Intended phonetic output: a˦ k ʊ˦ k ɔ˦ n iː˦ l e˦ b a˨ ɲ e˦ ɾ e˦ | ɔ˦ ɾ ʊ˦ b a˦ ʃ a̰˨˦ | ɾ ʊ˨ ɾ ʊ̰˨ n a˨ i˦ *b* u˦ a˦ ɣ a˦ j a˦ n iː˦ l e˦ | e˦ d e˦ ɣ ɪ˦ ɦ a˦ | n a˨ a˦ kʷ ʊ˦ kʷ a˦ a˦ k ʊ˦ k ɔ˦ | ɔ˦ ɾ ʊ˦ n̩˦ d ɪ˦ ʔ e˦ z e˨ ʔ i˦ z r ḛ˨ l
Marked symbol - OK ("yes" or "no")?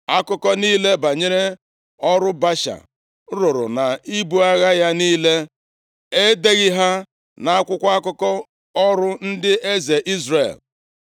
yes